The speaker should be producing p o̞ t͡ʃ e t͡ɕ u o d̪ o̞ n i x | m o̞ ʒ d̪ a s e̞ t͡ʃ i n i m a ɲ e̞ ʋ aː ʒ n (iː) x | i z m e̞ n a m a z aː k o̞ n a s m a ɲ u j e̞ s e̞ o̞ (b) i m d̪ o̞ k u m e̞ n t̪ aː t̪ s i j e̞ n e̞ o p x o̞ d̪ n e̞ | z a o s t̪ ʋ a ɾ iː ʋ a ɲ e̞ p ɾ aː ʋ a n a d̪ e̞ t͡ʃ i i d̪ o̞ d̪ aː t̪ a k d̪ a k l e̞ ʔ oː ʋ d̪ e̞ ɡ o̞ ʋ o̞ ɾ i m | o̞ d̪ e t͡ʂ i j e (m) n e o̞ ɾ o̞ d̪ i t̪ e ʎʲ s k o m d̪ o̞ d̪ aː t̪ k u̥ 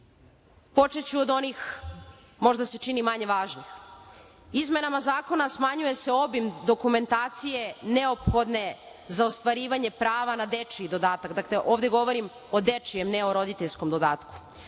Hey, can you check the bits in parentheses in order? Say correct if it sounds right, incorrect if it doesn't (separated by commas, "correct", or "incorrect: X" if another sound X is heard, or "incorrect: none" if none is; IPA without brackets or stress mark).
incorrect: i, correct, correct